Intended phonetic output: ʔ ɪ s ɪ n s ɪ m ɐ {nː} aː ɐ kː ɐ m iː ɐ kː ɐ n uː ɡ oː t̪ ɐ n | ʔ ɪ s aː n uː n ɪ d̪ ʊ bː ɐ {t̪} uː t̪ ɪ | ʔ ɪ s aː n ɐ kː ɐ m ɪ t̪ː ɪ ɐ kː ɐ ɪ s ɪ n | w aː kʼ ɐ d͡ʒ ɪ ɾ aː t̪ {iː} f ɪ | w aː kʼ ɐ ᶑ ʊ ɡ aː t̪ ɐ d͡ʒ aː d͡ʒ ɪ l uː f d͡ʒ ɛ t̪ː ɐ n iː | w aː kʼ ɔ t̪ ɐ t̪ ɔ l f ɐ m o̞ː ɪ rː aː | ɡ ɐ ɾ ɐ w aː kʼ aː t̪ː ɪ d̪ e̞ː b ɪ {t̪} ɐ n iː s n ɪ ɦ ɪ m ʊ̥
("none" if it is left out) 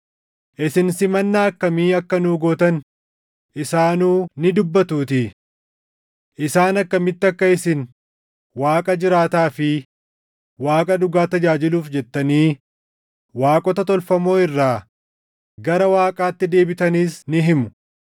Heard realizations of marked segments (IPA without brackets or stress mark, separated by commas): nː, t̪, aː, t̪